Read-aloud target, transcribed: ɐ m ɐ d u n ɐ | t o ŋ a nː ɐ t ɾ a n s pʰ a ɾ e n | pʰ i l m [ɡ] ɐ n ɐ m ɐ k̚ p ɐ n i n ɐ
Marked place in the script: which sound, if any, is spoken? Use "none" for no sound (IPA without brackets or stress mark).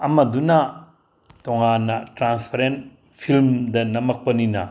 d